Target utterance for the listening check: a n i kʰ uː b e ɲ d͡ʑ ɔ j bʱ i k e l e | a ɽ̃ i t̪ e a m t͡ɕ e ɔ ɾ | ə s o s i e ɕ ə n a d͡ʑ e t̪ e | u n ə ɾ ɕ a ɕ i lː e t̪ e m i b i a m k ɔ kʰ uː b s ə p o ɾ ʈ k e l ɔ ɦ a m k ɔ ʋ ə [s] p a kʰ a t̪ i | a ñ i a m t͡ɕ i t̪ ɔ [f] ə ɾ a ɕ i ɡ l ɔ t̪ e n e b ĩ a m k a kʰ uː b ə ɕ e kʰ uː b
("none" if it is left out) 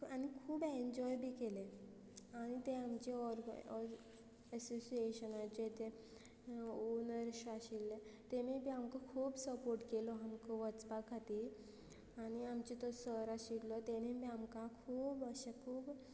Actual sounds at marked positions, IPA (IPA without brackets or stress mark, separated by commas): t͡s, s